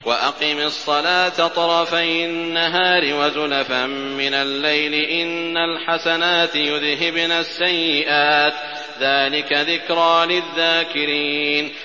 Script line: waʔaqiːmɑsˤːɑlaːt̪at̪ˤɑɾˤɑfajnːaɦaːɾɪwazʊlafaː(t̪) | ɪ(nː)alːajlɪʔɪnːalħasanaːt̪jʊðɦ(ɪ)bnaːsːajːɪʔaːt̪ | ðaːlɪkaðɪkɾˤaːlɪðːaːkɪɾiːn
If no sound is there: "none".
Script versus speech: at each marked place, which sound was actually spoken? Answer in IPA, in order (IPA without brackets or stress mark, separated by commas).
none, n, ɪ